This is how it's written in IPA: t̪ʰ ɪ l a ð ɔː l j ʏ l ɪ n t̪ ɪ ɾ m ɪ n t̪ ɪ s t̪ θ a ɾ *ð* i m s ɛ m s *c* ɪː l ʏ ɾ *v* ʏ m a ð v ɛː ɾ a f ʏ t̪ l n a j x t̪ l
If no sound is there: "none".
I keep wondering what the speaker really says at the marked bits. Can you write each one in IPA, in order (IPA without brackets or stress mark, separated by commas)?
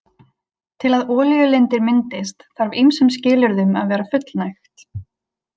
v, c, ð